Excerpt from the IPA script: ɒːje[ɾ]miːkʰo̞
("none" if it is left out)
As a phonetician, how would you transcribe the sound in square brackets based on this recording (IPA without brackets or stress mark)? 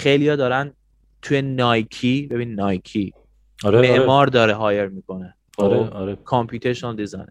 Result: ɾ